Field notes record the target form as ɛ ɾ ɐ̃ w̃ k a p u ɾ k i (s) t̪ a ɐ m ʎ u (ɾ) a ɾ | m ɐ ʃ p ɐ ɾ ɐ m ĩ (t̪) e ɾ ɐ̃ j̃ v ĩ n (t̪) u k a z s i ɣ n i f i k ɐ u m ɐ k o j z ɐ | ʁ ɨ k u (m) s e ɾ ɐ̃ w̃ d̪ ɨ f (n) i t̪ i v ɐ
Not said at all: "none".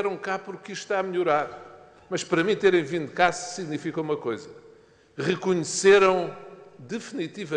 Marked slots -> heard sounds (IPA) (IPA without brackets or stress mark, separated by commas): ʃ, ɾ, t̪, d̪, ɲ, n